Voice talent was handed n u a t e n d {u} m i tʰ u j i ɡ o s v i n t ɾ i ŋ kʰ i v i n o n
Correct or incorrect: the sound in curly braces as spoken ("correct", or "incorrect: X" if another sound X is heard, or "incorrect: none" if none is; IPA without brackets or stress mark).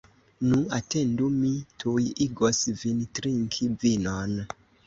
correct